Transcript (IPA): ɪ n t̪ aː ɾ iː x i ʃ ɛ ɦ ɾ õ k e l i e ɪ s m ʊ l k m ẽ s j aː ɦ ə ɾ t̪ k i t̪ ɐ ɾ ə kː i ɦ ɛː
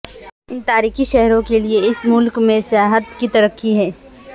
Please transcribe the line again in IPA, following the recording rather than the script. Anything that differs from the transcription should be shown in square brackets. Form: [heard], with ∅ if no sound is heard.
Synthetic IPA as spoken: ɪ n t̪ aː ɾ iː x i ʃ ɛ ɦ ɾ õ k e l i e ɪ s m ʊ l k m ẽ s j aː ɦ ə [∅] t̪ k i t̪ ɐ ɾ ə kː i ɦ ɛː